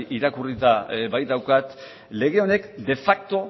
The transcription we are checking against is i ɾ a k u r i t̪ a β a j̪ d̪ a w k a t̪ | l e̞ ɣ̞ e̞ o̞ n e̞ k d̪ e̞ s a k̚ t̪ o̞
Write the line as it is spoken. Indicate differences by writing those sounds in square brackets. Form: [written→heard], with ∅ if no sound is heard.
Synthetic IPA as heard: i ɾ a k u r i t̪ a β a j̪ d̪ a w k a t̪ | l e̞ ɣ̞ e̞ o̞ n e̞ k d̪ e̞ [s→f] a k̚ t̪ o̞